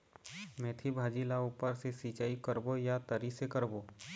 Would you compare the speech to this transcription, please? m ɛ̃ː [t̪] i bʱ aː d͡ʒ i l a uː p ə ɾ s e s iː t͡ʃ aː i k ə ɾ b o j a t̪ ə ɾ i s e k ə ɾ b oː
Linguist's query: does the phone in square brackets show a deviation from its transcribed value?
yes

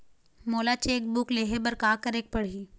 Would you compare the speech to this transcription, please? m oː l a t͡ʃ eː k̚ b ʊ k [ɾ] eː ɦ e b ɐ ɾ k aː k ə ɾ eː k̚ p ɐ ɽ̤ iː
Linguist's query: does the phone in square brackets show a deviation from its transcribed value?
yes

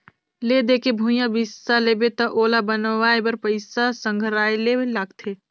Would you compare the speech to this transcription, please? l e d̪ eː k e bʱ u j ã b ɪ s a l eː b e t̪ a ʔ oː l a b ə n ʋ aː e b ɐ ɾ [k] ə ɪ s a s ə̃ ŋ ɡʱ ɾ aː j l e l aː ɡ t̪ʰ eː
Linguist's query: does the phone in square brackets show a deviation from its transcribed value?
yes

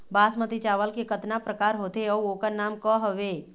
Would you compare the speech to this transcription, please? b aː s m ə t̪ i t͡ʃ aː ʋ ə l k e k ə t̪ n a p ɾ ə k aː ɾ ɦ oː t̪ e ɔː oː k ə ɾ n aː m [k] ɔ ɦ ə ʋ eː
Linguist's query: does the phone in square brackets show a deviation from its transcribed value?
no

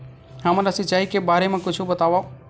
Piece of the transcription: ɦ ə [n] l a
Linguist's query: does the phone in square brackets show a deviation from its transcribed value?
yes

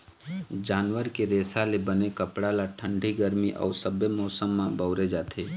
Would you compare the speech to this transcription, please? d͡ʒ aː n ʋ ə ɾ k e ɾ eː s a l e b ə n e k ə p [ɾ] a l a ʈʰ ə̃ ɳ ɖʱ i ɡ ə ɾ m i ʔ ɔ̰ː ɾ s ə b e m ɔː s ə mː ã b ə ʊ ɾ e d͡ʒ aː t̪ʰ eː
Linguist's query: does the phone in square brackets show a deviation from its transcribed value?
yes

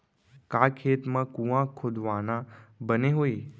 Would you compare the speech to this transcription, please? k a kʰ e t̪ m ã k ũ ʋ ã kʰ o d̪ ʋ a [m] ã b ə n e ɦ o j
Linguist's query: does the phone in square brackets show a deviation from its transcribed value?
yes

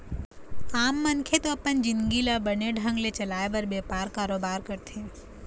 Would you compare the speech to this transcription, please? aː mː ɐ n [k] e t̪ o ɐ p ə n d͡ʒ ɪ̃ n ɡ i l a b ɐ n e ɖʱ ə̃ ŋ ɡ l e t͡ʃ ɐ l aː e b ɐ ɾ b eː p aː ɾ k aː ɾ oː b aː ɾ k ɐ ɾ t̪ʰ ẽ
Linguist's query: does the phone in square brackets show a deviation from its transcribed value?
yes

